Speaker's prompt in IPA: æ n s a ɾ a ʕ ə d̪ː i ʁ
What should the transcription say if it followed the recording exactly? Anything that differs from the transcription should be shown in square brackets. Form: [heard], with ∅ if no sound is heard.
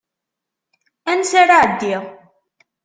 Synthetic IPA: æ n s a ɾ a ʕ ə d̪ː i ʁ